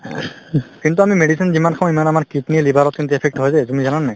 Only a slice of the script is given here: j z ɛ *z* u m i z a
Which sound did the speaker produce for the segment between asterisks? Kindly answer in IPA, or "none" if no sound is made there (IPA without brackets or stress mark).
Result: z